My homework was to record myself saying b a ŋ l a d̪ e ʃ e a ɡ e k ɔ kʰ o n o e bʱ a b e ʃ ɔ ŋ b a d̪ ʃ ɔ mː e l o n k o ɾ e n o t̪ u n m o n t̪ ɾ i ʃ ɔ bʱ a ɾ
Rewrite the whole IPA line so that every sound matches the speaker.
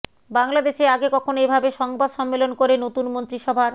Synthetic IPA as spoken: b a ŋ l a d̪ e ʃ e a ɡ e k ɔ kʰ o n o e bʱ a b e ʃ ɔ ŋ b a d̪ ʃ ɔ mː e l o n k o ɾ e n o t̪ u n m o n t̪ ɾ i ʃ ɔ bʱ a ɾ

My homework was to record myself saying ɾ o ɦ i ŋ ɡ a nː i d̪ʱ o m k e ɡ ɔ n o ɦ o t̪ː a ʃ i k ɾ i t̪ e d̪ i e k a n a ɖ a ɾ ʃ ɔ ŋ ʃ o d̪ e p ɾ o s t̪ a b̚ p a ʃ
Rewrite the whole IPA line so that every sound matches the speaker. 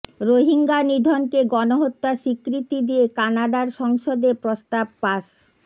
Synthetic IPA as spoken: ɾ o ɦ i ŋ ɡ a n i d̪ʱ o n k e ɡ ɔ n o ɦ o t̪ː a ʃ i k ɾ i t̪ i d̪ i e k a n a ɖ a ɾ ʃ ɔ ŋ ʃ o d̪ e p ɾ o s t̪ a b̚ p a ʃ

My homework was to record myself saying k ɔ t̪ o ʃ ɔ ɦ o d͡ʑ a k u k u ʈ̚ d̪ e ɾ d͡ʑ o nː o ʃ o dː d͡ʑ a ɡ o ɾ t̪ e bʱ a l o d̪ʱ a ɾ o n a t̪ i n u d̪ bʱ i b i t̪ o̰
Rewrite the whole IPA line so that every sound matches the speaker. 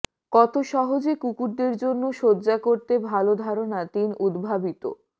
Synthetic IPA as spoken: k ɔ t̪ o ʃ ɔ ɦ o d͡ʑ e k u k u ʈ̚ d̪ e ɾ d͡ʑ o nː o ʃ o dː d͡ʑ a k o ɾ t̪ e bʱ a l o d̪ʱ a ɾ o n a t̪ i n u d̪ bʱ a b i t̪ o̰

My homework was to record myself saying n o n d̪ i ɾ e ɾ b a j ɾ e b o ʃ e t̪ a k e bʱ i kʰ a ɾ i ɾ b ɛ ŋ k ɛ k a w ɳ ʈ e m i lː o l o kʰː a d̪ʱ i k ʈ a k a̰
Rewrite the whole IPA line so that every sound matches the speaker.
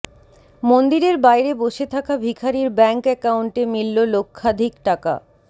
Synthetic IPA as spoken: m o n d̪ i ɾ e ɾ b a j ɾ e b o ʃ e t̪ʰ a k a bʱ i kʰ a ɾ i ɾ b ɛ ŋ k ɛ k a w ɳ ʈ e m i lː o l o kʰː a d̪ʱ i k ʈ a k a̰

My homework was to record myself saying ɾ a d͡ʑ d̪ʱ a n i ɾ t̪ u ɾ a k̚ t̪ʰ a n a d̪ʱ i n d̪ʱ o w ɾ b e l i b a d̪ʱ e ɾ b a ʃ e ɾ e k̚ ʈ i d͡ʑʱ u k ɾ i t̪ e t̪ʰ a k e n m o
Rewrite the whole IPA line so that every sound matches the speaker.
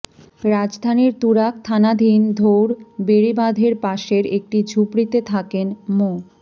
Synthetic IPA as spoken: ɾ a d͡ʑ d̪ʱ a n i ɾ t̪ u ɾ a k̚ t̪ʰ a n a d̪ʱ i n d̪ʱ o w ɾ b e ɾ i b a d̪ʱ e ɾ p a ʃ e ɾ e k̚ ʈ i d͡ʑʱ u p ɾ i t̪ e t̪ʰ a k e n m o

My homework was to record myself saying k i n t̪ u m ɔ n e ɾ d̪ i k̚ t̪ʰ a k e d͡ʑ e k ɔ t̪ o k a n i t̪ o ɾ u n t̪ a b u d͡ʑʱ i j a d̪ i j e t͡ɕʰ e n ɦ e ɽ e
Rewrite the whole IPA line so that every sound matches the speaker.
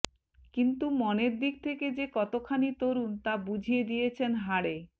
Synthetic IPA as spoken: k i n t̪ u m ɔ n e ɾ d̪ i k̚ t̪ʰ e k e d͡ʑ e k ɔ t̪ o kʰ a n i t̪ o ɾ u n t̪ a b u d͡ʑʱ i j e d̪ i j e t͡ɕʰ e n ɦ a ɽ e

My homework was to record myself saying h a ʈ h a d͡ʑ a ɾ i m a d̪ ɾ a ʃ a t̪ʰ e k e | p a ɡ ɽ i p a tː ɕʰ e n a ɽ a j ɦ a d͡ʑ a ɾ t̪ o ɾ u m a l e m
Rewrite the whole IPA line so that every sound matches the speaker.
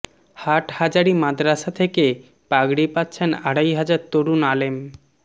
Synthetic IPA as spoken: h a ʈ h a d͡ʑ a ɾ i m a d̪ ɾ a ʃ a t̪ʰ e k e | p a ɡ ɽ i p a tː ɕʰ e n a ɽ a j ɦ a d͡ʑ a ɾ t̪ o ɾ u n a l e m

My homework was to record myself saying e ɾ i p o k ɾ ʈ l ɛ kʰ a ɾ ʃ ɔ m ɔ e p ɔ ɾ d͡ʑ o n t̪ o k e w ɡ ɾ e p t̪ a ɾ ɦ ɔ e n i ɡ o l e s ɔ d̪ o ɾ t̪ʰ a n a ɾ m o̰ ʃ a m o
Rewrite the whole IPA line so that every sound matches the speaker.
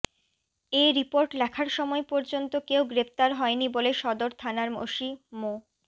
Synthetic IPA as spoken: e ɾ i p o ɾ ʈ l ɛ kʰ a ɾ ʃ ɔ m ɔ e p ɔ ɾ d͡ʑ o n t̪ o k e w ɡ ɾ e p t̪ a ɾ ɦ ɔ e n i b o l e ʃ ɔ d̪ o ɾ t̪ʰ a n a ɾ m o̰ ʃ i m o

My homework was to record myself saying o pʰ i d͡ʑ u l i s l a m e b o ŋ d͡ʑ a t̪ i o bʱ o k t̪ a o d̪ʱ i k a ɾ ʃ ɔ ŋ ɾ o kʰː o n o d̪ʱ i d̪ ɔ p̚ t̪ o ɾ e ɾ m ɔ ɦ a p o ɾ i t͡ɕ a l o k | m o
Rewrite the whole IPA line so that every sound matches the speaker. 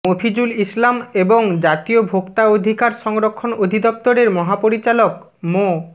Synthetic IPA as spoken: o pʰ i d͡ʑ u l i s l a m e b o ŋ d͡ʑ a t̪ i o bʱ o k t̪ a o d̪ʱ i k a ɾ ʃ ɔ ŋ ɾ o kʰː o n o d̪ʱ i d̪ ɔ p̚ t̪ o ɾ e ɾ m ɔ ɦ a p o ɾ i t͡ɕ a l o k | m o

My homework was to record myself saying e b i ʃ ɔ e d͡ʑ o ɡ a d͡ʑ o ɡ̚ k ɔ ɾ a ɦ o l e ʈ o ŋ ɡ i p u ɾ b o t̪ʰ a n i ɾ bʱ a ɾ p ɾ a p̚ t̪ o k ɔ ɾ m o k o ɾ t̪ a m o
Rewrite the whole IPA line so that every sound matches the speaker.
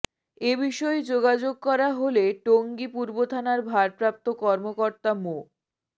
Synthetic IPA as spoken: e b i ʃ ɔ e d͡ʑ o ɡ a d͡ʑ o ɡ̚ k ɔ ɾ a ɦ o l e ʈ o ŋ ɡ i p u ɾ b o t̪ʰ a n a ɾ bʱ a ɾ p ɾ a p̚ t̪ o k ɔ ɾ m o k o ɾ t̪ a m o

